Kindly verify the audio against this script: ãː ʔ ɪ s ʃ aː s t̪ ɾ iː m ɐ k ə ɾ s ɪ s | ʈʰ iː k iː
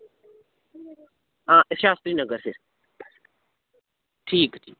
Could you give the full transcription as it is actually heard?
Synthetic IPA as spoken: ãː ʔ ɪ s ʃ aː s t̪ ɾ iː n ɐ ɡ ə ɾ s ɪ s | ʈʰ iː k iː